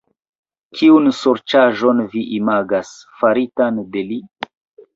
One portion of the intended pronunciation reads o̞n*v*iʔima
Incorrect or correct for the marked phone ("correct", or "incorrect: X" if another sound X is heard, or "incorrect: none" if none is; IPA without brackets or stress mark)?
correct